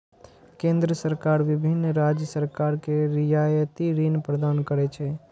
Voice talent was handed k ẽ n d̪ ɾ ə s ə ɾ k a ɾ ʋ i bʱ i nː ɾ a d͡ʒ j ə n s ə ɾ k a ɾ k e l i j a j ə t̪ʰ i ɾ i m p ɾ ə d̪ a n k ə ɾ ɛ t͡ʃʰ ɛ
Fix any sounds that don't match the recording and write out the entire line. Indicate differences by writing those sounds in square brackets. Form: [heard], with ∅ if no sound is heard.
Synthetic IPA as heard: k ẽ n d̪ ɾ ə s ə ɾ k a ɾ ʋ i bʱ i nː ɾ a d͡ʒ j ə [∅] s ə ɾ k a ɾ k e [ɾ] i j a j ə [t̪] i ɾ i [n] p ɾ ə d̪ a n k ə ɾ ɛ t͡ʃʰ ɛ